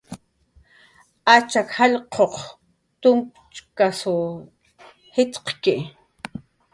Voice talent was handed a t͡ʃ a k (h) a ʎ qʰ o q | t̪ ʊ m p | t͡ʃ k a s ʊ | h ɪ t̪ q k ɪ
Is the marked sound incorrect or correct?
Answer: correct